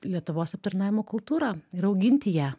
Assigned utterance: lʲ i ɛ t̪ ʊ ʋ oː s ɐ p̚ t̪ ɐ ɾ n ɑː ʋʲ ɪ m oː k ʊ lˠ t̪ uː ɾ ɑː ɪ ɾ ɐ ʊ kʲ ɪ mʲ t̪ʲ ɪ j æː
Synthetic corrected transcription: lʲ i ɛ t̪ ʊ ʋ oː s ɐ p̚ t̪ ɐ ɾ n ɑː ʋʲ ɪ m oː k ʊ lˠ t̪ uː ɾ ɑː ɪ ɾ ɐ ʊ ɡʲ ɪ nʲ t̪ʲ ɪ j æː

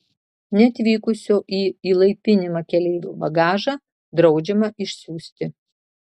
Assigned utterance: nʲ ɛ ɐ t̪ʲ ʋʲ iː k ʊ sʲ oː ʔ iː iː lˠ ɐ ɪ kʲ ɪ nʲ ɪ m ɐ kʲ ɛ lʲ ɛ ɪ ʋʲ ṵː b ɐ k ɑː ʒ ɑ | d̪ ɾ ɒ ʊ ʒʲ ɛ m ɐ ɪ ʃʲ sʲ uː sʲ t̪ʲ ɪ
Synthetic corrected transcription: nʲ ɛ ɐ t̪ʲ ʋʲ iː k ʊ sʲ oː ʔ iː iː lˠ ɐ ɪ pʲ ɪ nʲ ɪ m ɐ kʲ ɛ lʲ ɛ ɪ ʋʲ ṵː b ɐ ɡ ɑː ʒ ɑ | d̪ ɾ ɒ ʊ d͡ʒʲ ɛ m ɐ ɪ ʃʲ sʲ uː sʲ t̪ʲ ɪ

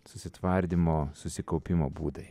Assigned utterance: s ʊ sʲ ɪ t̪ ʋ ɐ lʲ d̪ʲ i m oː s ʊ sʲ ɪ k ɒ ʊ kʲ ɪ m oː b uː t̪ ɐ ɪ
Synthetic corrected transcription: s ʊ sʲ ɪ t̪ ʋ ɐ ɾʲ d̪ʲ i m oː s ʊ sʲ ɪ k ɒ ʊ pʲ ɪ m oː b uː d̪ ɐ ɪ

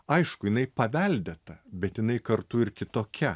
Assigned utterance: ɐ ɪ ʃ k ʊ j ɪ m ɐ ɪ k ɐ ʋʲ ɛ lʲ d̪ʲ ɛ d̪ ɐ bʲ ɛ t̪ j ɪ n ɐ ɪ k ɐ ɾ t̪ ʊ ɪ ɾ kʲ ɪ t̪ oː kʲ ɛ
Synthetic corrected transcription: ɐ ɪ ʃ k ʊ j ɪ n ɐ ɪ p ɐ ʋʲ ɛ lʲ d̪ʲ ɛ t̪ ɐ bʲ ɛ t̪ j ɪ n ɐ ɪ k ɐ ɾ t̪ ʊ ɪ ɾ kʲ ɪ t̪ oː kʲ ɛ

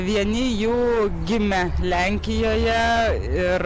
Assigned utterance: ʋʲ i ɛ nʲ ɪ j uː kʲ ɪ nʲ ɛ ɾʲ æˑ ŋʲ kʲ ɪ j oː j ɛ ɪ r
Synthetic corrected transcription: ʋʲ i ɛ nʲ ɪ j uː ɡʲ ɪ mʲ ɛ lʲ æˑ ŋʲ kʲ ɪ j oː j ɛ ɪ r

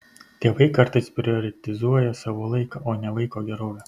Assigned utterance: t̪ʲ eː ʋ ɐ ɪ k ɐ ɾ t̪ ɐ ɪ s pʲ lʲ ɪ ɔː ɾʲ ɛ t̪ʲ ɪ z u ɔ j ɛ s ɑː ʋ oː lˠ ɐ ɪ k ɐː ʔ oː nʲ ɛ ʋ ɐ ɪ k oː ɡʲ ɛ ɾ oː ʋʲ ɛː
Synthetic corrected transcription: t̪ʲ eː ʋ ɐ ɪ k ɐ ɾ t̪ ɐ ɪ s pʲ ɾʲ ɪ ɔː ɾʲ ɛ t̪ʲ ɪ z u ɔ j ɛ s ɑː ʋ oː lˠ ɐ ɪ k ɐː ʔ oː nʲ ɛ ʋ ɐ ɪ k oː ɡʲ ɛ ɾ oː ʋʲ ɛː

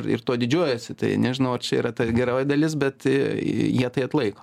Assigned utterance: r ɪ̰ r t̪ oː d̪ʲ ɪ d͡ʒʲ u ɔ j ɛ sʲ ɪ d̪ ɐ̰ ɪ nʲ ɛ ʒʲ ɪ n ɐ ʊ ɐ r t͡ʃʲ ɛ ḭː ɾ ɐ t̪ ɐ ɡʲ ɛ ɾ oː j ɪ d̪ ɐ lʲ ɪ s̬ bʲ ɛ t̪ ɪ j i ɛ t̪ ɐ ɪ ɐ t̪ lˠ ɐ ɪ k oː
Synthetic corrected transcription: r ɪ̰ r t̪ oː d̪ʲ ɪ d͡ʒʲ u ɔ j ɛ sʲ ɪ t̪ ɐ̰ ɪ nʲ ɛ ʒʲ ɪ n ɐ ʊ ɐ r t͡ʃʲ ɛ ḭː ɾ ɐ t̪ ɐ ɡʲ ɛ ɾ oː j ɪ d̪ ɐ lʲ ɪ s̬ bʲ ɛ t̪ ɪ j i ɛ t̪ ɐ ɪ ɐ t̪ lˠ ɐ ɪ k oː

